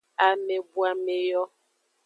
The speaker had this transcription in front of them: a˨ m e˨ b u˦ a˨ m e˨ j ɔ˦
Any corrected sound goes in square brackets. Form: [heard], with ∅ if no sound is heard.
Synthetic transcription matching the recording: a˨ m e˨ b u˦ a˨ m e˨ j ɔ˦